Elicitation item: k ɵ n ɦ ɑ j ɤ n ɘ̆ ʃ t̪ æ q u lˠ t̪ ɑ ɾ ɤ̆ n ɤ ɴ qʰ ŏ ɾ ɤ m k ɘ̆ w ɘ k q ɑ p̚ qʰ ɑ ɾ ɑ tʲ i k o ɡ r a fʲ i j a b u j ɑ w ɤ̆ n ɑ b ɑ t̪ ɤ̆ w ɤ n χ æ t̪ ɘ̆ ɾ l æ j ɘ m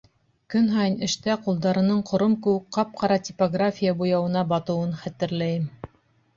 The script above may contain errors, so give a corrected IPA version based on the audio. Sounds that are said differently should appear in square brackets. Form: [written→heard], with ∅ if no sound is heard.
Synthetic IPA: k ɵ n ɦ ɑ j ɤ n ɘ̆ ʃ t̪ æ q u lˠ [t̪→d̪] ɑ ɾ ɤ̆ n ɤ ɴ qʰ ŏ ɾ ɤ m k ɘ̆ w ɘ k q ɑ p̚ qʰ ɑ ɾ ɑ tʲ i [k→p] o ɡ r a fʲ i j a b u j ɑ w ɤ̆ n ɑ b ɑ t̪ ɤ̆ w ɤ n χ æ t̪ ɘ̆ ɾ l æ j ɘ m